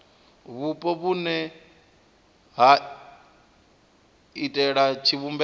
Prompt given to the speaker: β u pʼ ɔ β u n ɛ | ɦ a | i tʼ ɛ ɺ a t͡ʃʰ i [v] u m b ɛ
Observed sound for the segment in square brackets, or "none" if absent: β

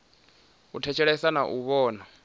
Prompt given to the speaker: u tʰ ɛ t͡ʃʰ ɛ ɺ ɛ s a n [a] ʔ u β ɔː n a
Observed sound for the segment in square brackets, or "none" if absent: a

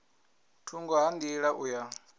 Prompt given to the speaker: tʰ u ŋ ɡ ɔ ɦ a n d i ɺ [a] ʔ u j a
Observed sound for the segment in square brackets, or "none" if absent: a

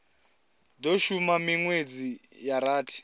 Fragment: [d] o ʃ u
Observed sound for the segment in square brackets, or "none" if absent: d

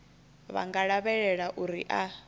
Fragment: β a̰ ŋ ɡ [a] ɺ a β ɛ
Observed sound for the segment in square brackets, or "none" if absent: a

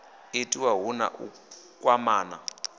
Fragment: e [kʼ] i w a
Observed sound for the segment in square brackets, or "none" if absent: tʼ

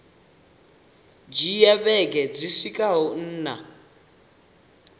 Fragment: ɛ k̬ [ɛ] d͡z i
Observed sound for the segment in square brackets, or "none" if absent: ɛ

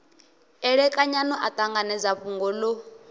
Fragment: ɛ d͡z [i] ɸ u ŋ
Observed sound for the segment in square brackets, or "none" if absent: a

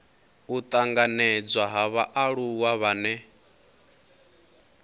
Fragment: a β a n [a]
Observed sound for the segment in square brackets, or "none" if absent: ɛ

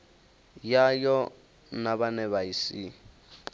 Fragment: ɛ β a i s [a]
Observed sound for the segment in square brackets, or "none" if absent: i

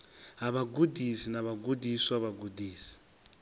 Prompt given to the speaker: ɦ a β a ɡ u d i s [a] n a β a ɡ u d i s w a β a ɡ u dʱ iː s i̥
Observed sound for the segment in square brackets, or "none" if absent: i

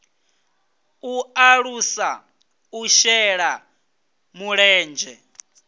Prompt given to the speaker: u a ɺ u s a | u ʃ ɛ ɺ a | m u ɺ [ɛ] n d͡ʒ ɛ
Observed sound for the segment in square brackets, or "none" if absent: ɛː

